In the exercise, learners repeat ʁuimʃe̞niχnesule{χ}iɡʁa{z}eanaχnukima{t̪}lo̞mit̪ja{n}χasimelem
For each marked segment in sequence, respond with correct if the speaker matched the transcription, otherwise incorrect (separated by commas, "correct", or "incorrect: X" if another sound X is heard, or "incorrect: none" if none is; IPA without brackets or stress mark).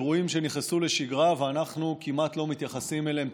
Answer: incorrect: ʃ, incorrect: v, correct, incorrect: none